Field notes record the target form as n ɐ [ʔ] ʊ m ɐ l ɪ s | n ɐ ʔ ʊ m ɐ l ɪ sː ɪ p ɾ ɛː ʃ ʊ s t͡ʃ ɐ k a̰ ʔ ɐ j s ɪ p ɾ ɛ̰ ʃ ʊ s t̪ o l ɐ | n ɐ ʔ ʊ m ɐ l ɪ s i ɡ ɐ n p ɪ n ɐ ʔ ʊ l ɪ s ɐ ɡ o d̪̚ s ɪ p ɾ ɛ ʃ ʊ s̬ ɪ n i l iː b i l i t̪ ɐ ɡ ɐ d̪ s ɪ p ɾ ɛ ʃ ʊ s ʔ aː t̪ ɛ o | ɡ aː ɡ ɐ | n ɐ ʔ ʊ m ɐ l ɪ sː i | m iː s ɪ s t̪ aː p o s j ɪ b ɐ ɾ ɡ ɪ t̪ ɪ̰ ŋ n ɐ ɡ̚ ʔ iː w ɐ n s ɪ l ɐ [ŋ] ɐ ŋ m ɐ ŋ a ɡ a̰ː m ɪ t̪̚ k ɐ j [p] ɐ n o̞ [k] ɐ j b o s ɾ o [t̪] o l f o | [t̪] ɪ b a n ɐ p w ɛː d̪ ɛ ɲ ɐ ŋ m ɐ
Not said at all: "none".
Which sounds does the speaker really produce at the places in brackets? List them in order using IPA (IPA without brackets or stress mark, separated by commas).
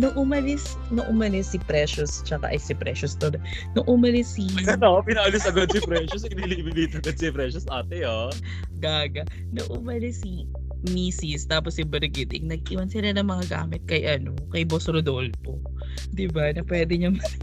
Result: ʔ, n, ʔ, k, d̪, d̪